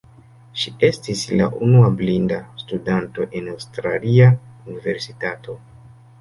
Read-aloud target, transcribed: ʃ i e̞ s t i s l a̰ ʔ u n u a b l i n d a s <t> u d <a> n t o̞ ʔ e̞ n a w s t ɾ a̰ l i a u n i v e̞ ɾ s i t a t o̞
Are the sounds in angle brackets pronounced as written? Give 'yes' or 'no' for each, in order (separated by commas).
yes, yes